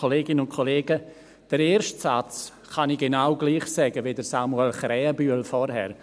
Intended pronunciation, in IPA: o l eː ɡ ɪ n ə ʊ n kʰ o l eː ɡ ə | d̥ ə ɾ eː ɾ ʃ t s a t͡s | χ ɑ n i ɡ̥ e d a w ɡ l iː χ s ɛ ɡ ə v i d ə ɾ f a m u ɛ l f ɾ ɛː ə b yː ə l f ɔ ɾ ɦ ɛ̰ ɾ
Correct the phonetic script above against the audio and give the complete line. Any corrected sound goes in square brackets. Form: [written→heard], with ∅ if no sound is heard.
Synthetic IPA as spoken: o l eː ɡ ɪ n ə ʊ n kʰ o l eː ɡ ə | d̥ ə ɾ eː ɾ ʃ t s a t͡s | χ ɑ n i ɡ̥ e [d→n] a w ɡ l iː χ s ɛ ɡ ə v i d ə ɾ [f→s] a m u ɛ l [f→χ] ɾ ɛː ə b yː ə l f ɔ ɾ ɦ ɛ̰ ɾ